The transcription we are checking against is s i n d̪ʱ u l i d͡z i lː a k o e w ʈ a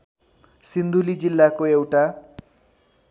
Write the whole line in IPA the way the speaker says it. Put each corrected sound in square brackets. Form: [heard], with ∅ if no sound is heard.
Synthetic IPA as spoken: s i n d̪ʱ u l i d͡z i lː a k o e w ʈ a